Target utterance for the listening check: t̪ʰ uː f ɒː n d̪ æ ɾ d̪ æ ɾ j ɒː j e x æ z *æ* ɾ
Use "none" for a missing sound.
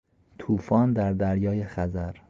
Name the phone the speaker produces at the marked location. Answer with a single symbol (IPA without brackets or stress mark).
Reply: æ